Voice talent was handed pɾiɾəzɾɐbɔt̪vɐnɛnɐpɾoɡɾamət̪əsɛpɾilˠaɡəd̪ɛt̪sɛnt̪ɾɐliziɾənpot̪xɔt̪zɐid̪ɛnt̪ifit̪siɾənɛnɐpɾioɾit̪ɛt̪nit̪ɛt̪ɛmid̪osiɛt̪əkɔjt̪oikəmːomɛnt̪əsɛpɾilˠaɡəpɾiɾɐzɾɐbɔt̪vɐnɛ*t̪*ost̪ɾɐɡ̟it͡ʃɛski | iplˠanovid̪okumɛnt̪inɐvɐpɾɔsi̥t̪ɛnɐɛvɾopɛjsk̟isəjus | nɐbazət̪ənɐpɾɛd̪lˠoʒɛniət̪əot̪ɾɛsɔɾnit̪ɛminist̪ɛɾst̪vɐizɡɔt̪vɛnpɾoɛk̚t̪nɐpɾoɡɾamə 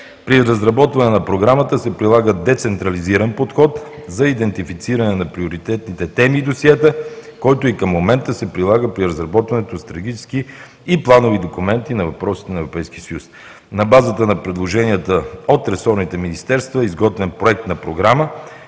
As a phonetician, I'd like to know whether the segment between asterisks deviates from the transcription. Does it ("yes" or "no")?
no